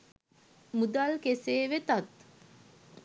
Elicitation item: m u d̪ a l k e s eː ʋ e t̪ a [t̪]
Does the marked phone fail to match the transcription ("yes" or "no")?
no